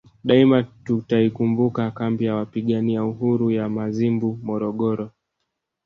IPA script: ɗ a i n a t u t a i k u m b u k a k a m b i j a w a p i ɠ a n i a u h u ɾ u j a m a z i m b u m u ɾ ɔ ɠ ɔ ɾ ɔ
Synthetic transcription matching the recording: ɗ a i m a t u t a i k u m b u k a k a m b i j a w a p i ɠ a n i a u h u ɾ u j a m a z i m b u m ɔ ɾ ɔ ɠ ɔ ɾ ɔ